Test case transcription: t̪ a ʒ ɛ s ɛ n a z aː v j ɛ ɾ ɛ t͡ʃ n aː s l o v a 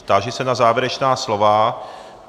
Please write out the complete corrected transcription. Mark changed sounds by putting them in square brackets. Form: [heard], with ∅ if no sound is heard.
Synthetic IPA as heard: t̪ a ʒ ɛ s ɛ n a z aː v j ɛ ɾ ɛ t͡ʃ n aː s l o v a